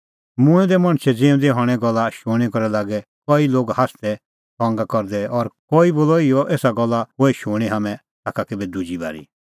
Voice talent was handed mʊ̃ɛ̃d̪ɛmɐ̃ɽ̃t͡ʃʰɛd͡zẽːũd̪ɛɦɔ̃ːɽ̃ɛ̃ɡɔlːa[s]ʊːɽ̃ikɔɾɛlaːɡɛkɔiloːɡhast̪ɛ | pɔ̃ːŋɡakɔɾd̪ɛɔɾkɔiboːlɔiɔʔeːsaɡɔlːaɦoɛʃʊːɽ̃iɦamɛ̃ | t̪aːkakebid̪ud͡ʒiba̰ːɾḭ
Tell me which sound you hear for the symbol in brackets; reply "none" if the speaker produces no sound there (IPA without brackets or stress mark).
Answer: ʃ